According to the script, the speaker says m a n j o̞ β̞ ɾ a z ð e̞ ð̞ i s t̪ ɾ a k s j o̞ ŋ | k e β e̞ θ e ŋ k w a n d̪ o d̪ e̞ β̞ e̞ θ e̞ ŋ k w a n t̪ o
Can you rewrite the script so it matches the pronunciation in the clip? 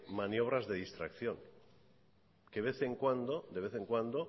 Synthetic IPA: m a n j o̞ β̞ ɾ a z ð e̞ ð̞ i s t̪ ɾ a k θ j o̞ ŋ | k e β e̞ θ e ŋ k w a n d̪ o d̪ e̞ β̞ e̞ θ e̞ ŋ k w a n d̪ o